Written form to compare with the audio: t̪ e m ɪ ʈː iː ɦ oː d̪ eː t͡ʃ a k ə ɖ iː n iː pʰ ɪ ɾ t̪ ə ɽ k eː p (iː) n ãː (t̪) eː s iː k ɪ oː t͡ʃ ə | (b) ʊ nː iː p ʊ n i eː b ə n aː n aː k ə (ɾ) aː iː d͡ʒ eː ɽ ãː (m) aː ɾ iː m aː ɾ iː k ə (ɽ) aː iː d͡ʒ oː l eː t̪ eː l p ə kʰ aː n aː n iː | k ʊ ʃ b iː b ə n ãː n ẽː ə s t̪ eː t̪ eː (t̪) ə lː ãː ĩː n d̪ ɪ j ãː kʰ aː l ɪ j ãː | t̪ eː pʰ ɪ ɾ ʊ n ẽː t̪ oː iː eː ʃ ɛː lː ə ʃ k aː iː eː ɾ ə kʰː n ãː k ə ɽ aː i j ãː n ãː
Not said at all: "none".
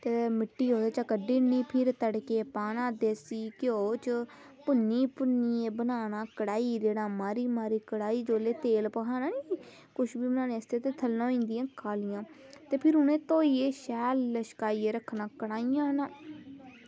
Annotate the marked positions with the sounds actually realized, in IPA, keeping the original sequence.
aː, d̪, p, ɽ, m, ɽ, t̪ʰ

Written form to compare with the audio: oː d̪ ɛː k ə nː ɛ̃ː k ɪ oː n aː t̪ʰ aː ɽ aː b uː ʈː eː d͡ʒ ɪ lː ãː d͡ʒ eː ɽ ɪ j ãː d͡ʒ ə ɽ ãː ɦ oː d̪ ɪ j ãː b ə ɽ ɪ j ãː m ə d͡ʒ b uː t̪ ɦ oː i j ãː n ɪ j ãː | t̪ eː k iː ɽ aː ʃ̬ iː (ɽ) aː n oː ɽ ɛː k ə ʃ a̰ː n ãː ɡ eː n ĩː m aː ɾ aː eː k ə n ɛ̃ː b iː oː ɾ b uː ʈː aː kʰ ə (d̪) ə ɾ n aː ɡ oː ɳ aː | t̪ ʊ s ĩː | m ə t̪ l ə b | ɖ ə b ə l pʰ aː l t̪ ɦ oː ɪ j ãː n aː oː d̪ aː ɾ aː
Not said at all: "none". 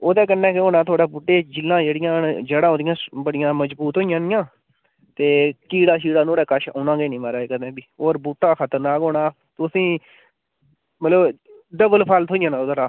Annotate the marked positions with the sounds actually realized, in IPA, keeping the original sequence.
ɽ, t̪

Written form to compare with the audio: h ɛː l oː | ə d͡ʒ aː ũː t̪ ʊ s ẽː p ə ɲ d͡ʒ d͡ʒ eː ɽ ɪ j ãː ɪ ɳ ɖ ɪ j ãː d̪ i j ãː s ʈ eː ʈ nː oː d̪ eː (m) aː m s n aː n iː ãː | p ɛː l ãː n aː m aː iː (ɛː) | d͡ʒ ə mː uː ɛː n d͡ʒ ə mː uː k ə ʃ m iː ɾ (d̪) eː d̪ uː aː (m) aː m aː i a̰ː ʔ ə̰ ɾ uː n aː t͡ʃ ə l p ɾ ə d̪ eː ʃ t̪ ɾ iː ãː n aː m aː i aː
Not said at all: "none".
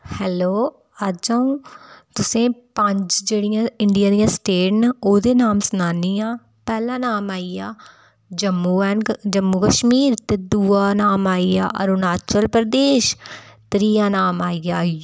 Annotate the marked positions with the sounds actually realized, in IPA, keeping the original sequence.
n, aː, t̪, n

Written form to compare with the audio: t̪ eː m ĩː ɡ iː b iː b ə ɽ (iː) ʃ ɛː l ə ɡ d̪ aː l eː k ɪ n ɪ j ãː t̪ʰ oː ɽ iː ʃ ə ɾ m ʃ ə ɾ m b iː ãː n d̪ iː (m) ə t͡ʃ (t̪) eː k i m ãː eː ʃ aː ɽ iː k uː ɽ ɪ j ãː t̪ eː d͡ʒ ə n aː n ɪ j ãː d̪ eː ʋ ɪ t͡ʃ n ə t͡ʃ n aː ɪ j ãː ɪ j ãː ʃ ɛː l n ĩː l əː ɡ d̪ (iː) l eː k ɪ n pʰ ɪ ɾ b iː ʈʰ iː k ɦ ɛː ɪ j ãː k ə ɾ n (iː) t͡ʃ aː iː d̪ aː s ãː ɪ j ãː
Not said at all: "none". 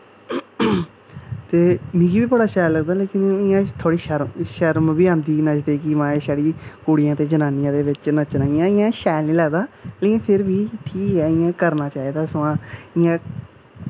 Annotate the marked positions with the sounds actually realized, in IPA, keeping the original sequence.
aː, n, d̪, aː, aː

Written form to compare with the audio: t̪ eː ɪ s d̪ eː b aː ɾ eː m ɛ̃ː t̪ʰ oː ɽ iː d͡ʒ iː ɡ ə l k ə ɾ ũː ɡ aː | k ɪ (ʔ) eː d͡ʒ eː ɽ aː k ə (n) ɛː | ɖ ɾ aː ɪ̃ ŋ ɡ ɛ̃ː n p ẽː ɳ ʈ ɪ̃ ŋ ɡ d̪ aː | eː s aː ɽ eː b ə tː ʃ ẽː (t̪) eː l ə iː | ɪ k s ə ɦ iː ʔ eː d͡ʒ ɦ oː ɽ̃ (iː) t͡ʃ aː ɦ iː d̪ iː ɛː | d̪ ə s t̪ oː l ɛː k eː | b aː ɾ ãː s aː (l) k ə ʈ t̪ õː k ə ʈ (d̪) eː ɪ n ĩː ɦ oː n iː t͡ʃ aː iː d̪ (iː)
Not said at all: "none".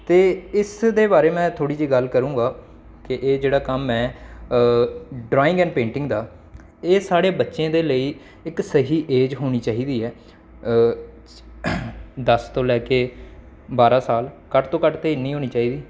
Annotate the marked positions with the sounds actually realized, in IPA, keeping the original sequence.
ʔ, m, d̪, iː, l, t̪, iː

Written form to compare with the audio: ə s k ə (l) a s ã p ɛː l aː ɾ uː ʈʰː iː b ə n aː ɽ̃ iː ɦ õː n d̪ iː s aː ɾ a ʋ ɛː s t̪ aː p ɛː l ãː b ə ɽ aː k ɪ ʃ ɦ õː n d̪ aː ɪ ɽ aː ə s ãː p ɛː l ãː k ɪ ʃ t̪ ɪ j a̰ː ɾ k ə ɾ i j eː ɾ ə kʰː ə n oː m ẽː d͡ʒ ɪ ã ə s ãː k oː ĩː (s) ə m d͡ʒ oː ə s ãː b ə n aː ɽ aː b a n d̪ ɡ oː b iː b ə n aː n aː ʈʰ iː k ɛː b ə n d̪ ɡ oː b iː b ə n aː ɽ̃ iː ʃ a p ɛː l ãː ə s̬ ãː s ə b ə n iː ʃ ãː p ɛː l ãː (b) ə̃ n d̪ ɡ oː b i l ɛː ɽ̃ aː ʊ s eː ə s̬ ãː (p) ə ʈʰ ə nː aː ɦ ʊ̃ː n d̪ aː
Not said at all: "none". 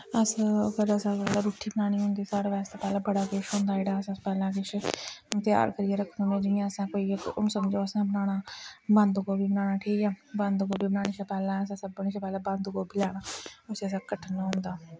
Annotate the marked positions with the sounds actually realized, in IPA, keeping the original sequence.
ɾ, s, b, k

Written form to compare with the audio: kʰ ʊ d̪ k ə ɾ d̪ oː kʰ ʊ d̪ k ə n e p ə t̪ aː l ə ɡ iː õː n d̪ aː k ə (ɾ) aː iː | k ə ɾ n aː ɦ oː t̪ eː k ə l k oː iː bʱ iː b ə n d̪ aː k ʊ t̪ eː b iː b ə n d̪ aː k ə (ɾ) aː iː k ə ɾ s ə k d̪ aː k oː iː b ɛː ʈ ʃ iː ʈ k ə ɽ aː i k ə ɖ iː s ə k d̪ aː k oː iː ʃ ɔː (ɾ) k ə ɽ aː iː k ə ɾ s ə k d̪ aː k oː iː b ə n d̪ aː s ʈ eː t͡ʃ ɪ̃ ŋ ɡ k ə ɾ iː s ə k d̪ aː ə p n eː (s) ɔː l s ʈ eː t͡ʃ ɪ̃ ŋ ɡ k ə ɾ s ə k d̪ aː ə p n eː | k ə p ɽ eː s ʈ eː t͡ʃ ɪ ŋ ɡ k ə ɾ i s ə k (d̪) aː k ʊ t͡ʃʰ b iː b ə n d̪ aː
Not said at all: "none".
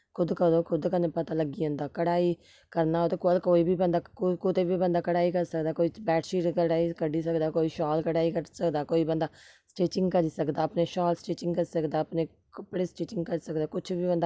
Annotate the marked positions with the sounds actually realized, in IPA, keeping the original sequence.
ɽ, ɽ, l, ʃ, d̪

